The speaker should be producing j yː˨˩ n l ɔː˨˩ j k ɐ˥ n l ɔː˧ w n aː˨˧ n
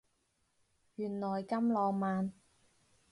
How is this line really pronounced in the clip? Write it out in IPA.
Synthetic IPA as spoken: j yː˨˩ n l ɔː˨˩ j k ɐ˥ m l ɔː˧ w m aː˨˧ n